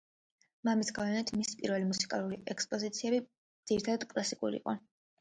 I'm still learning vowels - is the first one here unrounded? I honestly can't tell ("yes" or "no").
yes